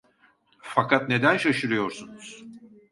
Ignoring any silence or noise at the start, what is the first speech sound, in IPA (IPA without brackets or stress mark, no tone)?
f